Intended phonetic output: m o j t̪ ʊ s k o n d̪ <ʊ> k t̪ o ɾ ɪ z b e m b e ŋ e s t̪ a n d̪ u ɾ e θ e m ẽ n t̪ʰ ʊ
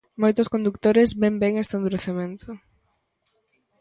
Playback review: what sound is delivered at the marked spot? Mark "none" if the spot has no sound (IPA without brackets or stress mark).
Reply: u